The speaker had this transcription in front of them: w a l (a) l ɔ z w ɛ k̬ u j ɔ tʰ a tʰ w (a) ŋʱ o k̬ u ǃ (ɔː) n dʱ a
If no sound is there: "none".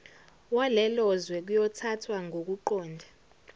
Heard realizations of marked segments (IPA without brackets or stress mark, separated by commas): ɛ, a, ɔː